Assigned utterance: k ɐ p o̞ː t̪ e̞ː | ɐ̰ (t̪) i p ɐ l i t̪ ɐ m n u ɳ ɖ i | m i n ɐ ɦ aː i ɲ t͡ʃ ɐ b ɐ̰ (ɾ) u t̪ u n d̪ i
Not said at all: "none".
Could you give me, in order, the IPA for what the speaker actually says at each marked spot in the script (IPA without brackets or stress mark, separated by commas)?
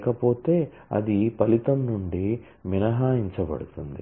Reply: d̪, ɽ